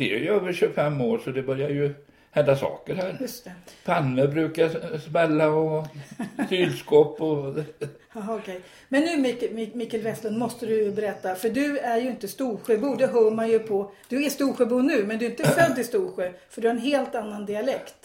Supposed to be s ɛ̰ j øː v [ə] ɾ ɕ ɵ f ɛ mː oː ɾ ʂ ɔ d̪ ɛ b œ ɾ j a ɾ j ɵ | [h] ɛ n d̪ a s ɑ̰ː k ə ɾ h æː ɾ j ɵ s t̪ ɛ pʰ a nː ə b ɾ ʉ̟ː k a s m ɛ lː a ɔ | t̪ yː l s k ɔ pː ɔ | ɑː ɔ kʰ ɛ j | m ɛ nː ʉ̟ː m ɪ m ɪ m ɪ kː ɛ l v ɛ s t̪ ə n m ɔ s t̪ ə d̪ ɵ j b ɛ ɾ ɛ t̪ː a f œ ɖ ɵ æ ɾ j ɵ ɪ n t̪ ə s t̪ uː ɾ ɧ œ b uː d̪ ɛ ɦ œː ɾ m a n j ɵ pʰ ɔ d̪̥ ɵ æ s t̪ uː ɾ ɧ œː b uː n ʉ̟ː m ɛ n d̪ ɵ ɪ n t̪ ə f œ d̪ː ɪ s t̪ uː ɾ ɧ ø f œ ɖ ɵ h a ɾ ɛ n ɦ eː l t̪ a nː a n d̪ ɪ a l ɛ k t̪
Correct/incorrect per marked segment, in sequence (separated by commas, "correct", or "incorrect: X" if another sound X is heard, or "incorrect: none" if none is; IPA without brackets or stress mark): correct, correct